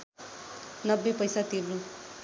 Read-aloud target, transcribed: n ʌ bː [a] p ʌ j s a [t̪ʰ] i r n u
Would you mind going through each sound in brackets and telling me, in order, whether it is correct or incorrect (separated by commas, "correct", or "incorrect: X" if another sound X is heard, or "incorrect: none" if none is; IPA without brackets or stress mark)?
incorrect: e, incorrect: t̪